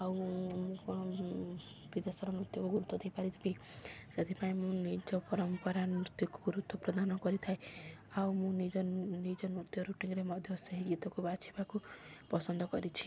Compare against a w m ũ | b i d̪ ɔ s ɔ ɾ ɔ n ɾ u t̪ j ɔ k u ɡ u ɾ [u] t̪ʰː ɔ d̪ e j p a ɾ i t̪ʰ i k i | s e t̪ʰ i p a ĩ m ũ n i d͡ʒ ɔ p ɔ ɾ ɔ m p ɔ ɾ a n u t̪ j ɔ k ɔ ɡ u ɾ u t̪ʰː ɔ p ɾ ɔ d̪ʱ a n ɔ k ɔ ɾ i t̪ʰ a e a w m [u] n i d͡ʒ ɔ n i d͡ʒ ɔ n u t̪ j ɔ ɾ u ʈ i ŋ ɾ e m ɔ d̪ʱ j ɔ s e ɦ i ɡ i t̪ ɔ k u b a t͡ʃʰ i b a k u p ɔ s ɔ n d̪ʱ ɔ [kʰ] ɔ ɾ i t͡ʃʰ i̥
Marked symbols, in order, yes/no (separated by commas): yes, no, no